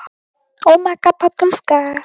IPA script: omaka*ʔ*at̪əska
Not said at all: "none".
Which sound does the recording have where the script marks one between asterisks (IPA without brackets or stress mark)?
p